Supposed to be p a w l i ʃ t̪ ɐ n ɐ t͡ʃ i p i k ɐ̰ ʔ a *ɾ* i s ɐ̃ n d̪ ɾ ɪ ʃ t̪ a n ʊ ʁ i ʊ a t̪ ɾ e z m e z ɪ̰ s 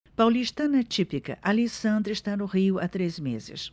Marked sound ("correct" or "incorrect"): incorrect